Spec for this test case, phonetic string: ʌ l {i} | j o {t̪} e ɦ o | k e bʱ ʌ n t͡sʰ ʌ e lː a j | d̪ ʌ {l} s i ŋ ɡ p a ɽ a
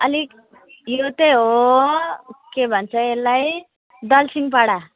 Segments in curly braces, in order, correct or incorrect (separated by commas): correct, correct, correct